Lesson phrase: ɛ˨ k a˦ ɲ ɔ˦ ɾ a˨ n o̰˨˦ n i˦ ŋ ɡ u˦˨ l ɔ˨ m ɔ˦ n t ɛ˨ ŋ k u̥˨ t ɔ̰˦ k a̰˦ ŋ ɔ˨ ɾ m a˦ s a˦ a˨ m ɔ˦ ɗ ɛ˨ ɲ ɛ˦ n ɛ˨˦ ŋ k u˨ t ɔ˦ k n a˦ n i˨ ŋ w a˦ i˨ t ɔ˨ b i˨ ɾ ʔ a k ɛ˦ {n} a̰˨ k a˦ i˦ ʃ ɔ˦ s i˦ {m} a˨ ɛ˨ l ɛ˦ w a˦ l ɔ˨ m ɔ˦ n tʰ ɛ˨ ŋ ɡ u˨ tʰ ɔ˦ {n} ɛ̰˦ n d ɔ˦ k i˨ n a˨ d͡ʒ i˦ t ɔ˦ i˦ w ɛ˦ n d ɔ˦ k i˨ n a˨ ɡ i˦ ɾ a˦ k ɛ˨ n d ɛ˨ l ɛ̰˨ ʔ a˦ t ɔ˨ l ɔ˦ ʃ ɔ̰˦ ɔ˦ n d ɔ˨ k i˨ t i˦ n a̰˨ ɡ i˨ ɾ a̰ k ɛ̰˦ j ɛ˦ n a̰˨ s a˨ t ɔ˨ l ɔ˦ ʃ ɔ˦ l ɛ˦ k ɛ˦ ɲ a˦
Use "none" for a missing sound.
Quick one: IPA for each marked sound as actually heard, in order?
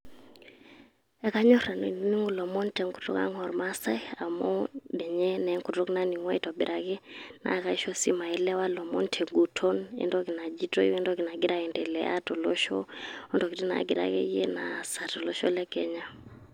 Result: n, m, n

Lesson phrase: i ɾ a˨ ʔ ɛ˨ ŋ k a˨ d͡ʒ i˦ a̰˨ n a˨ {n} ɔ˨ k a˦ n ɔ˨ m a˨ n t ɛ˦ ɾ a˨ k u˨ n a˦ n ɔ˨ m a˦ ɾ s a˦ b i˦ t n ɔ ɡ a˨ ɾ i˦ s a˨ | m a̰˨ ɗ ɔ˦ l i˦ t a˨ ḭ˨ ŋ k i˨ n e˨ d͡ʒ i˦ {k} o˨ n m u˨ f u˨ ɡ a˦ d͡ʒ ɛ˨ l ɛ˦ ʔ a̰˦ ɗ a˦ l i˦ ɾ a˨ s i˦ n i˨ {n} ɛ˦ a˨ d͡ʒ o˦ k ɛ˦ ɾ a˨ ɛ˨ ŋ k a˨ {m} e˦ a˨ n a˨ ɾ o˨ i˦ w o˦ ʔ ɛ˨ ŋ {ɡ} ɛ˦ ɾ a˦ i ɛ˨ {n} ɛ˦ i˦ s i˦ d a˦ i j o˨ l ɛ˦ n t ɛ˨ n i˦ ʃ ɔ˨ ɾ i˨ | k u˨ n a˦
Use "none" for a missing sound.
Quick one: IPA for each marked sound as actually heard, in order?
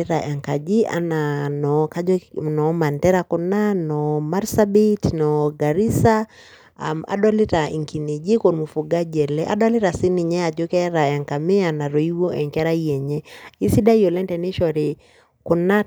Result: n, k, ɲ, m, k, ɲ

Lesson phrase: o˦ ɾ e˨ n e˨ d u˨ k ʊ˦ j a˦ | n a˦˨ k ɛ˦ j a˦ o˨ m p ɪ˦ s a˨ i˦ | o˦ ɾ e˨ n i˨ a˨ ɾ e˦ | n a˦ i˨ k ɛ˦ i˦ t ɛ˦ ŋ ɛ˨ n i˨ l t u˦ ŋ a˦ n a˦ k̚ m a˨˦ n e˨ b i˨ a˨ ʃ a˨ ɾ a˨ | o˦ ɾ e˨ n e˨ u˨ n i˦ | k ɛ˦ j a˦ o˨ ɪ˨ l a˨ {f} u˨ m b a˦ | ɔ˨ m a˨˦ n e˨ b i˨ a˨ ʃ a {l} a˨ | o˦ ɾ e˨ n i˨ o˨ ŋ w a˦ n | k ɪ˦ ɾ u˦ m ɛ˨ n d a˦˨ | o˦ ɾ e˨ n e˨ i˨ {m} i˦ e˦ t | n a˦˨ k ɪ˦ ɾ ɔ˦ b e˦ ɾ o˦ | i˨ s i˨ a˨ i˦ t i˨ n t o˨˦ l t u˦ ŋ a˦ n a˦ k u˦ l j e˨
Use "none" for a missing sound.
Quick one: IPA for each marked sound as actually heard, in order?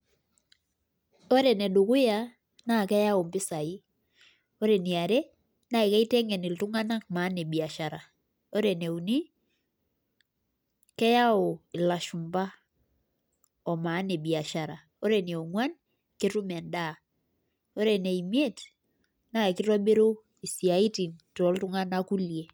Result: ʃ, ɾ, m

